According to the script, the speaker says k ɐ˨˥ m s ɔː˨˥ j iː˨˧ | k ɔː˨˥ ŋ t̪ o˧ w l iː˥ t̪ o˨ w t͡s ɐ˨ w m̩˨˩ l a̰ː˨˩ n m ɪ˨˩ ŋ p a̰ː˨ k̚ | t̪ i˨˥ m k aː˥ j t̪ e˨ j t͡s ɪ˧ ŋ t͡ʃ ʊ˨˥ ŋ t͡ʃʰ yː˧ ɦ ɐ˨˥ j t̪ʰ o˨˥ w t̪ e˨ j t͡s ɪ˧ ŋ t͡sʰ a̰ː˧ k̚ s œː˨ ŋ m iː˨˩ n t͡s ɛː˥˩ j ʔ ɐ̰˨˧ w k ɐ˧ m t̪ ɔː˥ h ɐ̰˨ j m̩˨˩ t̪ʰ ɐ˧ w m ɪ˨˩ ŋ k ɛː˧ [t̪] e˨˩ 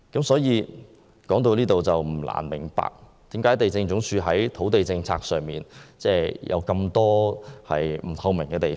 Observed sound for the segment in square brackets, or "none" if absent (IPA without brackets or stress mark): t̪